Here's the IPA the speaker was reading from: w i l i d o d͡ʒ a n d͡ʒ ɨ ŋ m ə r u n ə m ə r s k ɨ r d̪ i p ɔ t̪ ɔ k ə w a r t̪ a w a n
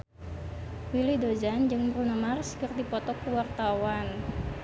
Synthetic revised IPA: w i l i d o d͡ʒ a n d͡ʒ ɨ ŋ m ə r u n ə m a r s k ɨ r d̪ i p ɔ t̪ ɔ k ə w a r t̪ a w a n